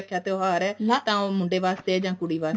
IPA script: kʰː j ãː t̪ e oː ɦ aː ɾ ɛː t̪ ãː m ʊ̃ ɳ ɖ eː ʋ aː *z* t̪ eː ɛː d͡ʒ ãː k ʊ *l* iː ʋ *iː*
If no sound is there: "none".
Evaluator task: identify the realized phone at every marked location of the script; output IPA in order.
s, ɽ, aː

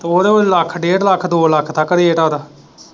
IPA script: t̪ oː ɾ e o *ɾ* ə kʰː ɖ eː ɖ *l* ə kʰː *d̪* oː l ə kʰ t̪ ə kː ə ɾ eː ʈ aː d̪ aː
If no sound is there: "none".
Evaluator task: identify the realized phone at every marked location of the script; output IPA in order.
l, l, d̪

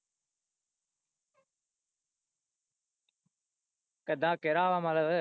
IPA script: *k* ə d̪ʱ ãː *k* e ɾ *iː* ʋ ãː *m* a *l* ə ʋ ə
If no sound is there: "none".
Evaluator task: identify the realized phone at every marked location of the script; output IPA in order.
k, k, aː, m, l

